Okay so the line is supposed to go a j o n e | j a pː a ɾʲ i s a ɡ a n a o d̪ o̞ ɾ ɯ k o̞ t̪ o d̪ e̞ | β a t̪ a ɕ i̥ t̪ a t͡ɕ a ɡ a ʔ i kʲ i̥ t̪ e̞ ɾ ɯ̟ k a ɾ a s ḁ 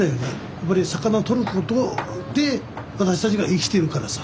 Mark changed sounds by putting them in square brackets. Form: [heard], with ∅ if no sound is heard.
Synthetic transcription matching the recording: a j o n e | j a pː a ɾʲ i s a [k] a n a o [t̪] o̞ ɾ ɯ k o̞ t̪ o d̪ e̞ | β a t̪ a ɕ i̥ t̪ a t͡ɕ [i] ɡ a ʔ i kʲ i̥ t̪ e̞ ɾ ɯ̟ k a ɾ a s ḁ